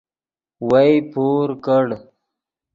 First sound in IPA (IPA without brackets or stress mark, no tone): w